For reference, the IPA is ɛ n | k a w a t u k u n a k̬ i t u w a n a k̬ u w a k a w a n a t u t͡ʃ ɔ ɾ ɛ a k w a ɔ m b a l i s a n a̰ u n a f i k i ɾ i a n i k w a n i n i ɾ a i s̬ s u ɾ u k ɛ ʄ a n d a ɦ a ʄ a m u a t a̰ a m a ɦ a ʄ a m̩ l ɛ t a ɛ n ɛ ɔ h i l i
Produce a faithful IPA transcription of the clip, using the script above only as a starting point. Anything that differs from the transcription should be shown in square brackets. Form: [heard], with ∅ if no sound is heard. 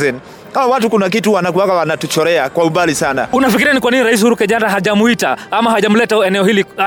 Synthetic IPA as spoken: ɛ n | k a w a t u k u n a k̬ i t u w a n a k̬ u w a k a w a n a t u t͡ʃ ɔ ɾ ɛ a k w a [u] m b a l i s a n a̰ u n a f i k i ɾ i a n i k w a n i n i ɾ a i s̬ [h] u ɾ u k ɛ ʄ a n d a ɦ a ʄ a m u [i] t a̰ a m a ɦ a ʄ a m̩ l ɛ t a ɛ n ɛ ɔ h i l i